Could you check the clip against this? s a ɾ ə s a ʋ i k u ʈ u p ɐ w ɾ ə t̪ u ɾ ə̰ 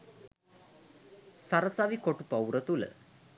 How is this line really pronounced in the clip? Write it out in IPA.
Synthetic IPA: s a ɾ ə s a ʋ i k o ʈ u p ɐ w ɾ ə t̪ u l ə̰